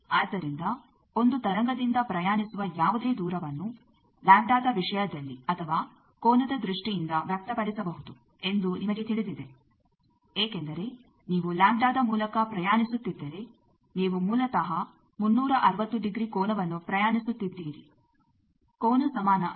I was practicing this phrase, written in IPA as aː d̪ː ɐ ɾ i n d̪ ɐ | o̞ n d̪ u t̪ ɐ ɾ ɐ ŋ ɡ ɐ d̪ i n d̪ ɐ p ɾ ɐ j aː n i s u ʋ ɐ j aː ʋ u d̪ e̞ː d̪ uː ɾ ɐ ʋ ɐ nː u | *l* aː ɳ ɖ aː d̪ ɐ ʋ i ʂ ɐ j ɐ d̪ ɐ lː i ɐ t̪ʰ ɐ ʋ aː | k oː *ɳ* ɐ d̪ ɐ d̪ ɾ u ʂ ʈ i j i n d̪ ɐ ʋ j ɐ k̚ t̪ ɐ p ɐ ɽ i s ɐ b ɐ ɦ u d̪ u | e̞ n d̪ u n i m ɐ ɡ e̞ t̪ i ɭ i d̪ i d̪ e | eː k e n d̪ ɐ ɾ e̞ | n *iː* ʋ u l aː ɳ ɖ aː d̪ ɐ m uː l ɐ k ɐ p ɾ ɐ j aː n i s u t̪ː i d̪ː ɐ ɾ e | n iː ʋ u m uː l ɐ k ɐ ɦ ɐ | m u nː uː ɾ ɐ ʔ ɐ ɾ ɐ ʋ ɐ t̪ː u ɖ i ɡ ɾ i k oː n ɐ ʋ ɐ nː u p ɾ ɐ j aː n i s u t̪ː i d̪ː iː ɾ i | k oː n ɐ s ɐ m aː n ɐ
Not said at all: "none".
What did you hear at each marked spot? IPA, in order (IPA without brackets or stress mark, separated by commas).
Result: l, n, iː